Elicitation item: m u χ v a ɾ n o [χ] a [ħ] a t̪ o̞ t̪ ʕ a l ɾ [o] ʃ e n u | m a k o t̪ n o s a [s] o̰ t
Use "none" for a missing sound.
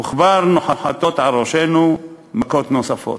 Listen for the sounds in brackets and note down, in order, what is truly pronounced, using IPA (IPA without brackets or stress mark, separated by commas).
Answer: ħ, ħ, o, f